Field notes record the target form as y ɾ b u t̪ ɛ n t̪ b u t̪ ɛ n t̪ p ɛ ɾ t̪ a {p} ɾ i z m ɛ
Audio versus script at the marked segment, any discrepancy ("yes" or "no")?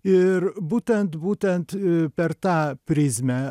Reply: no